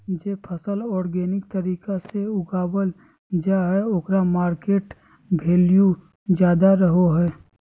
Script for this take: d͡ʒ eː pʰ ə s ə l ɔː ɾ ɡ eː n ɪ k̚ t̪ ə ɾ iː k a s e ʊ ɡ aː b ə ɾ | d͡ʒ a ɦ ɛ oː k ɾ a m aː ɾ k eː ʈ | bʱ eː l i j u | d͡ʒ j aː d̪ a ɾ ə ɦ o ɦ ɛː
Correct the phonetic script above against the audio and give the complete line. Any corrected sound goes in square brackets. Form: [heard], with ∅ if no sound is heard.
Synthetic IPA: d͡ʒ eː pʰ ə s ə l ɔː ɾ ɡ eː n ɪ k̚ t̪ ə ɾ iː k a s e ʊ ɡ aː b ə [l] | d͡ʒ a ɦ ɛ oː k ɾ a m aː ɾ k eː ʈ | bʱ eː l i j u | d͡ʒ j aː d̪ a ɾ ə ɦ o ɦ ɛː